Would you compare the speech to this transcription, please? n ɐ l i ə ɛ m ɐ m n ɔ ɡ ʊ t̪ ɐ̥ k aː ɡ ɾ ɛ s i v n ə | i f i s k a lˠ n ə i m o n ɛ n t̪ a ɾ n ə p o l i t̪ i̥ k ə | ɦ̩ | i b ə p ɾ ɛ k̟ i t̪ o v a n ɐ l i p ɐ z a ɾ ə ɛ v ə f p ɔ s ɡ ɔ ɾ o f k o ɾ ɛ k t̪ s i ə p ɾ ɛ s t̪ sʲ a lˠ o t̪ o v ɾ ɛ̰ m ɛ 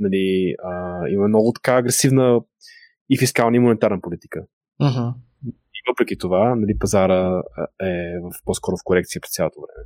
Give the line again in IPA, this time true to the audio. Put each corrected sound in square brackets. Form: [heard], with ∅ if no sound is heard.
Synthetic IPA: n ɐ l i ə [i] m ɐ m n ɔ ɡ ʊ t̪ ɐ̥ k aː ɡ ɾ ɛ s i v n ə | i f i s k a lˠ n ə i m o n ɛ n t̪ a ɾ n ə p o l i t̪ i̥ k ə | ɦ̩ | i [v] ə p ɾ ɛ k̟ i t̪ o v a n ɐ l i p ɐ z a ɾ ə ɛ v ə f p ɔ s [k] ɔ ɾ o f k o ɾ ɛ k t̪ s i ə p ɾ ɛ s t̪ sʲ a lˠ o t̪ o v ɾ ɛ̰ m ɛ